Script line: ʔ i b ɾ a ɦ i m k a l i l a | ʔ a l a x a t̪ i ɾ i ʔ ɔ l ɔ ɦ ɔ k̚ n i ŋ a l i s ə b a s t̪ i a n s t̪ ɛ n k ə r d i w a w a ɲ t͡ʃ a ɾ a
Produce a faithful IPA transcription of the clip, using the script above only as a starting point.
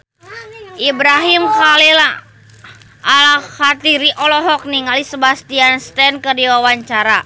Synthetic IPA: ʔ i b ɾ a ɦ i m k a l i l a | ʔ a l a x a t̪ i ɾ i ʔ ɔ l ɔ ɦ ɔ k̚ n i ŋ a l i s ə b a s t̪ i a n s t̪ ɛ n k ə r d i w a w a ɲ t͡ʃ a ɾ a